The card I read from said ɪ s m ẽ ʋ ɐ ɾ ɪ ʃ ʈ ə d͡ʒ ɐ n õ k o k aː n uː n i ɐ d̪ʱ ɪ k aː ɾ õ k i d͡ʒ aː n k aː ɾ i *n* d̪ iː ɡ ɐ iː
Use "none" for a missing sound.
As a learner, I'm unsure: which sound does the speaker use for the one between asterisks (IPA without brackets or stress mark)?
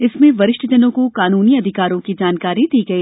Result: none